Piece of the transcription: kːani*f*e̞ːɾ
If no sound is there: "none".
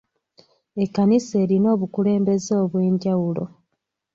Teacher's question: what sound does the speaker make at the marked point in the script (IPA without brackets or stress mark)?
s